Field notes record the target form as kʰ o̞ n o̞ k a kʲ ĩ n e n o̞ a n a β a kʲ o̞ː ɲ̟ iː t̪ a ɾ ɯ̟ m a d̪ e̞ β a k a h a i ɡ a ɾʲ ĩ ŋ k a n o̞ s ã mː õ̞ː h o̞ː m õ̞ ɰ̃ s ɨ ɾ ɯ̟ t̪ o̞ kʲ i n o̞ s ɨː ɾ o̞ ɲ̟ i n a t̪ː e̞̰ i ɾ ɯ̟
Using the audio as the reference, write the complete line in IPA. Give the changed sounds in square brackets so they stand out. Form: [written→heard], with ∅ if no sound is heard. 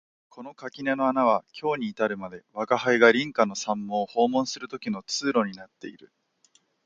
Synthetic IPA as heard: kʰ o̞ n o̞ k a kʲ [ĩ→i] n e n o̞ a n a β a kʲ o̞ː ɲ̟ iː t̪ a ɾ ɯ̟ m a d̪ e̞ β a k a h a i ɡ a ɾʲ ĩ ŋ k a n o̞ s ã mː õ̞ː h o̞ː m õ̞ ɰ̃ s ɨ ɾ ɯ̟ t̪ o̞ kʲ i n o̞ [s→t͡s] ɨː ɾ o̞ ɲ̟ i n a t̪ː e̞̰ i ɾ ɯ̟